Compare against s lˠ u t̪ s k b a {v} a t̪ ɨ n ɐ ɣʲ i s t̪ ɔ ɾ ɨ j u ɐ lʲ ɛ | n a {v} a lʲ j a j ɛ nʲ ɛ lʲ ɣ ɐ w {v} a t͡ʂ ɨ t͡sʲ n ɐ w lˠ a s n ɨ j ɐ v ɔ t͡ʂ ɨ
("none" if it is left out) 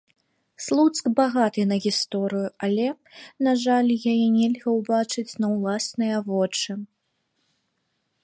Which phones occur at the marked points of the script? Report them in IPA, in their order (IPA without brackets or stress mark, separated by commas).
ɣ, ʐ, b